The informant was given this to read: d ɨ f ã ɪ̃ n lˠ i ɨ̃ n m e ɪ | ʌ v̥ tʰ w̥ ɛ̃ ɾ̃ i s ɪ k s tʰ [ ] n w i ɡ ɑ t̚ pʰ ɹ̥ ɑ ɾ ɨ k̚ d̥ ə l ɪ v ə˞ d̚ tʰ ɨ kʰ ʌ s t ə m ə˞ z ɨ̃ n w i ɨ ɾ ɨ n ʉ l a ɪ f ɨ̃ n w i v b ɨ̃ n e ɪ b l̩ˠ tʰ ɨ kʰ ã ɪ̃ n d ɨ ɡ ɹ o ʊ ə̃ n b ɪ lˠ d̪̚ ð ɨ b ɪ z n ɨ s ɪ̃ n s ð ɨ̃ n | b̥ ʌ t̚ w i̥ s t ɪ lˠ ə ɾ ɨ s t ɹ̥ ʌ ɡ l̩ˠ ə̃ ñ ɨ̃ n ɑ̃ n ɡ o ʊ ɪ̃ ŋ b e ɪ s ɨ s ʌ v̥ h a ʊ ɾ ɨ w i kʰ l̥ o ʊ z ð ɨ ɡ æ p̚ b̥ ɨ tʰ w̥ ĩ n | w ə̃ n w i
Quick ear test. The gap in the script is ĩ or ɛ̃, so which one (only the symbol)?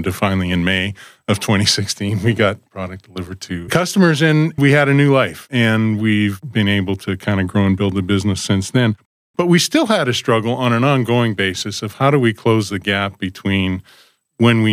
ĩ